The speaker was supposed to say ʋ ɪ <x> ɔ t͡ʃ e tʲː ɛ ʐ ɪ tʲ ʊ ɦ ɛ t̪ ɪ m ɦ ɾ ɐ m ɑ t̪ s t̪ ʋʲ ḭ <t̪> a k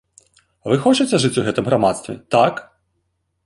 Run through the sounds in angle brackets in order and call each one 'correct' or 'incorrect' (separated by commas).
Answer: correct, correct